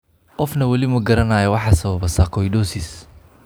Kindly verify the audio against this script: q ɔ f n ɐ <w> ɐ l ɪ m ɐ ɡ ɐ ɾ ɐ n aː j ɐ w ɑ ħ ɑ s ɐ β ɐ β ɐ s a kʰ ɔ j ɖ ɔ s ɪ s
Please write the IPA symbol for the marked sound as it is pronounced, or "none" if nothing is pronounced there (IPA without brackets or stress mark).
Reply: w